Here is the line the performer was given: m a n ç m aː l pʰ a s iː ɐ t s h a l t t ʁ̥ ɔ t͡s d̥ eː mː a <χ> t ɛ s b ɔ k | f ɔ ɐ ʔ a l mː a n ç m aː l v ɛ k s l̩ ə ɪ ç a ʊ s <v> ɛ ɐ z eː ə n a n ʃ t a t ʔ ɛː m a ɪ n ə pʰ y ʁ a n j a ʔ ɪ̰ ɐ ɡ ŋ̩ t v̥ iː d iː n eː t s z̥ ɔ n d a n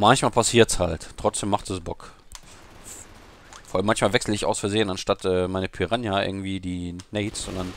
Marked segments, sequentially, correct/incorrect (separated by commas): correct, incorrect